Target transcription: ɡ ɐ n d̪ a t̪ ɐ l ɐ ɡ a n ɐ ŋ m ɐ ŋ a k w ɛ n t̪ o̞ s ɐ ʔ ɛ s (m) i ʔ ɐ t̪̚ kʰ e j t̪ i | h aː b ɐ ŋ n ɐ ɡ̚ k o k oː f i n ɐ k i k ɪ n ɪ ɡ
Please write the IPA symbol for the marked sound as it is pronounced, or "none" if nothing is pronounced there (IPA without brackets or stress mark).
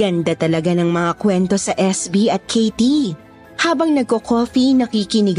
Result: b